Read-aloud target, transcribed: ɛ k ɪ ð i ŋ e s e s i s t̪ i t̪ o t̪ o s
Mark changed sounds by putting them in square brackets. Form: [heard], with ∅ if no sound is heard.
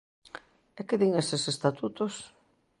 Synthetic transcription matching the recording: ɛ k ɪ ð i ŋ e s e s [e] s t̪ [a] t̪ [u] t̪ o s